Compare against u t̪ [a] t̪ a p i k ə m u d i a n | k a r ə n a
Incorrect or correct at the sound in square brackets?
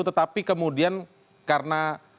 incorrect: ə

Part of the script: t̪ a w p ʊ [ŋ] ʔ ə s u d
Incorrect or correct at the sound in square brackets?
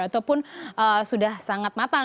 incorrect: n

